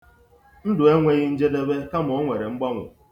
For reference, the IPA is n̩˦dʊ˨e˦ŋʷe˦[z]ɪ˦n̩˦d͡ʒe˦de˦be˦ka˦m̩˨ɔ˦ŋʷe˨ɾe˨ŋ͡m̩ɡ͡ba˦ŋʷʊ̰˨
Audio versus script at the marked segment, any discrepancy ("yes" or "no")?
yes